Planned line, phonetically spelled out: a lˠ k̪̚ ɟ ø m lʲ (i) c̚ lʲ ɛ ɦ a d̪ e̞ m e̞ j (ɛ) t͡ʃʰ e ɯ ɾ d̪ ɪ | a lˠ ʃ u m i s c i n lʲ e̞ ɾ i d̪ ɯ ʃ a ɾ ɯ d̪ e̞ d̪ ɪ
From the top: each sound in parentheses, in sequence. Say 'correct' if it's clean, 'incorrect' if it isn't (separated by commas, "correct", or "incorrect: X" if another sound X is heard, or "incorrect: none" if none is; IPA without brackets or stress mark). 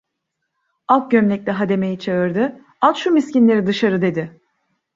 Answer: incorrect: ɛ, incorrect: i